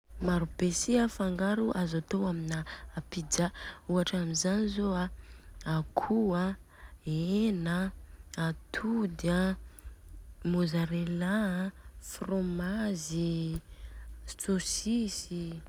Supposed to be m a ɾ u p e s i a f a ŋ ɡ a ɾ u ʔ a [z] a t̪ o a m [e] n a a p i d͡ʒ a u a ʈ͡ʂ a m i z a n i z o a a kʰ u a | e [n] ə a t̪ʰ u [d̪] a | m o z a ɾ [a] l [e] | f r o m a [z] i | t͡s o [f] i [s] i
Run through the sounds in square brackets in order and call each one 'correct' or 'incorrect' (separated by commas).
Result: correct, incorrect, correct, correct, incorrect, incorrect, correct, incorrect, correct